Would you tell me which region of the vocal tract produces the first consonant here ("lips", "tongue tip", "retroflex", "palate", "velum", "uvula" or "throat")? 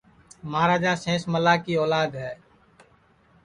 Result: lips